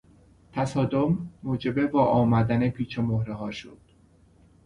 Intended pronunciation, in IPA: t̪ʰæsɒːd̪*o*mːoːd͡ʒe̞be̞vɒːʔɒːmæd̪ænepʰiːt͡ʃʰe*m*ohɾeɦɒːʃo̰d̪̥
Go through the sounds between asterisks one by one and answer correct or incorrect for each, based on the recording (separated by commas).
correct, correct